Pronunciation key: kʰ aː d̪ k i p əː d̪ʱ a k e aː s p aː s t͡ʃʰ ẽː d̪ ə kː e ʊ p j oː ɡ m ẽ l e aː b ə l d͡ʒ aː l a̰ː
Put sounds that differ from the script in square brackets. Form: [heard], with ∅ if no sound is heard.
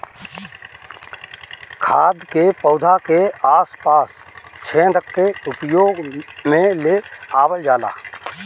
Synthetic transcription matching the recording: kʰ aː d̪ k [e] p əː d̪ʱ a k e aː s p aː s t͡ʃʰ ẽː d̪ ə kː e ʊ p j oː ɡ m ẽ l e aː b ə l d͡ʒ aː l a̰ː